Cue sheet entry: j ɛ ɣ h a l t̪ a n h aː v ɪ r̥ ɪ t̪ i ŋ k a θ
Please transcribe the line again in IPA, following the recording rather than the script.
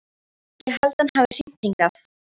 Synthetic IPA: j ɛ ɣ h a l t̪ a n h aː v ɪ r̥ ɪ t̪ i ŋ k a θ